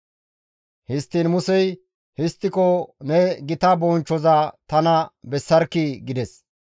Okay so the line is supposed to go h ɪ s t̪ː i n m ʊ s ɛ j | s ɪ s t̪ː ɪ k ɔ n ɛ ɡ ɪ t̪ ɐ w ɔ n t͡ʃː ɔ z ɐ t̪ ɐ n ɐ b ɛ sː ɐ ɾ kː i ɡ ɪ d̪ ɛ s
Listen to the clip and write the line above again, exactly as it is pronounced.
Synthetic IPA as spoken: h ɪ s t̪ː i n m ʊ s ɛ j | h ɪ s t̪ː ɪ k ɔ n ɛ ɡ ɪ t̪ ɐ b ɔ n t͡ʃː ɔ z ɐ t̪ ɐ n ɐ b ɛ sː ɐ ɾ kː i ɡ ɪ d̪ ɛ s